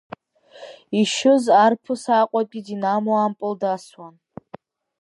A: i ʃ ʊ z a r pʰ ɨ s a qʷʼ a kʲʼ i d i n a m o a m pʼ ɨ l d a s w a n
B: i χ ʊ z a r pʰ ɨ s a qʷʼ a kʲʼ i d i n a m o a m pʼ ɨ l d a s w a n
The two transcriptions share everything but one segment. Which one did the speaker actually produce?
A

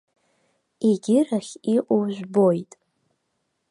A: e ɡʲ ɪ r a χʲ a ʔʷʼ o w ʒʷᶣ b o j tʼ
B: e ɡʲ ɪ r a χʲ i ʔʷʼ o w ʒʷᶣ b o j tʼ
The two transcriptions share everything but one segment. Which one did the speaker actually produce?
B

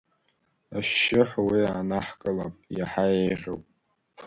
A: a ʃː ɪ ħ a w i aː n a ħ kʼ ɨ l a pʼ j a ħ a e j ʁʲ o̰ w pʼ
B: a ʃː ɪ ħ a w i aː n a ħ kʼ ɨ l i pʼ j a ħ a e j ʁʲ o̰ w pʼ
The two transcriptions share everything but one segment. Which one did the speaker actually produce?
A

